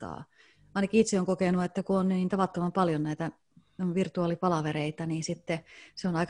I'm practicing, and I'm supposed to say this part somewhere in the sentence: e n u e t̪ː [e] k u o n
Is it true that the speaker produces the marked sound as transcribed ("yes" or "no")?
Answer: no